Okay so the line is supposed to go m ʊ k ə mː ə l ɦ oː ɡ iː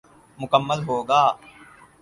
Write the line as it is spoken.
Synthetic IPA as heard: m ʊ k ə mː ə l ɦ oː ɡ aː